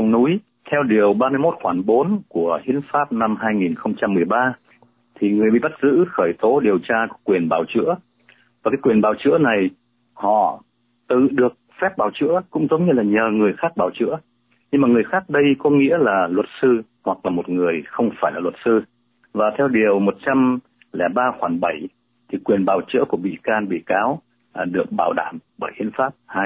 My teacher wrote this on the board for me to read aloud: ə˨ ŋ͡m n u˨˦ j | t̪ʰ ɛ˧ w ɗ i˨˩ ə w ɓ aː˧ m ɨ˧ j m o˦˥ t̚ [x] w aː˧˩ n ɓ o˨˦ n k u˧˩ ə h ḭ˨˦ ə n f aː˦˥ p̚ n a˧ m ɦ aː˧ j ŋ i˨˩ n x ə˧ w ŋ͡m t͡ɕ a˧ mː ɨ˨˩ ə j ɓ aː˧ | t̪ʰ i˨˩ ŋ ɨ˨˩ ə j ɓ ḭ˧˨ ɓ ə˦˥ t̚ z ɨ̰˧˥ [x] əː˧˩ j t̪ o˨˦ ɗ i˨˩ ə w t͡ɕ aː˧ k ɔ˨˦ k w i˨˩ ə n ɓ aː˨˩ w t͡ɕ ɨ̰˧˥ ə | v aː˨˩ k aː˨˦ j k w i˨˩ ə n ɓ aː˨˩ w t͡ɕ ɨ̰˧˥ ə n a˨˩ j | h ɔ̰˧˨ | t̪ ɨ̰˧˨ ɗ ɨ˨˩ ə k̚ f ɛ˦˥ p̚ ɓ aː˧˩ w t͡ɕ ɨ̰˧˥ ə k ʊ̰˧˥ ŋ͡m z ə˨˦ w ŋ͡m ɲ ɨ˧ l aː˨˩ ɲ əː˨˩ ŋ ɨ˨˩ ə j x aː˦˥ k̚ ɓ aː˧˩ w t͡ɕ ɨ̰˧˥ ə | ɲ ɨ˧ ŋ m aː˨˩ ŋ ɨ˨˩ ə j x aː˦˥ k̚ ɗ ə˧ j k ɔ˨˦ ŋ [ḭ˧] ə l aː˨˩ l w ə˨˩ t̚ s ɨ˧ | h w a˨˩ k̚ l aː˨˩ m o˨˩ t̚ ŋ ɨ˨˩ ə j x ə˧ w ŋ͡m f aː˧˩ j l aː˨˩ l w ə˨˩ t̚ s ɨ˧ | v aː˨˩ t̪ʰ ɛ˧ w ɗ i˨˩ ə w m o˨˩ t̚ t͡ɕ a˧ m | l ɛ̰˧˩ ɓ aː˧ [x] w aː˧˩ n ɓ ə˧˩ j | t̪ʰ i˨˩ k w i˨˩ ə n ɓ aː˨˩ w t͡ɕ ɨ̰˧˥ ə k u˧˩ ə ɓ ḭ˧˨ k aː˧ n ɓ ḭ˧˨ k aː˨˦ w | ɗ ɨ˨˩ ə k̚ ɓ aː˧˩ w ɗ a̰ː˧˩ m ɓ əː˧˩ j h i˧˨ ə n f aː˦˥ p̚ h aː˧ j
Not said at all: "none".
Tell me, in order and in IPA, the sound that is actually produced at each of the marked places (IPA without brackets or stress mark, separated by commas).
x, x, ḭ˧˥, x